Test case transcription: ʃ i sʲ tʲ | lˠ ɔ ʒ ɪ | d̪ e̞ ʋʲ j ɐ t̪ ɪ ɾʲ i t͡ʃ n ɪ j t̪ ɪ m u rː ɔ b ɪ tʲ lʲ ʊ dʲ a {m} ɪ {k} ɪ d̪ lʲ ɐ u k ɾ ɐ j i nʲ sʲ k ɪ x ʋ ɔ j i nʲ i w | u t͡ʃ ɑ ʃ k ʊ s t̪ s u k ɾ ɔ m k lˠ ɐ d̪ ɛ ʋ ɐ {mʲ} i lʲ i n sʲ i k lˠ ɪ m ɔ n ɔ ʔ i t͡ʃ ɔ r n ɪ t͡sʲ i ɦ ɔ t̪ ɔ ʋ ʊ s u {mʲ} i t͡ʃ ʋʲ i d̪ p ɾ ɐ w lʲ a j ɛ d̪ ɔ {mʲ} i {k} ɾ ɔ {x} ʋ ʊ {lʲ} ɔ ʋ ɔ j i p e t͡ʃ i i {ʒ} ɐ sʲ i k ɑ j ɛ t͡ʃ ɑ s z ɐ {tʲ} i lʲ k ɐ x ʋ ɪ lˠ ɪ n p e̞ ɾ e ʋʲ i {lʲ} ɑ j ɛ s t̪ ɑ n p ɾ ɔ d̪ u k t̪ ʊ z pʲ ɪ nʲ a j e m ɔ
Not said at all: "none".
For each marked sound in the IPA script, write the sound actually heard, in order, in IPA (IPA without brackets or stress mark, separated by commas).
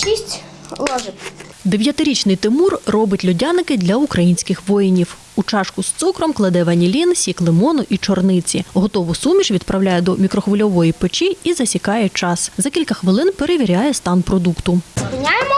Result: n, k, nʲ, mʲ, mʲ, k, x, lʲ, z, kʲ, ɾʲ